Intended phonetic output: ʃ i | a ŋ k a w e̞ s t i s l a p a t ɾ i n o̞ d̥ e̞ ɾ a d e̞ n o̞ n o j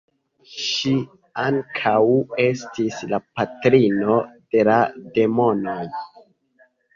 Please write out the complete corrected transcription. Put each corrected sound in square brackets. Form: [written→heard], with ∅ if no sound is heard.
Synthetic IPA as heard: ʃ i | a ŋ [k→kʰ] a w e̞ s t i s l a p a t ɾ i n o̞ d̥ e̞ [ɾ→l] a d e̞ [n→m] o̞ n o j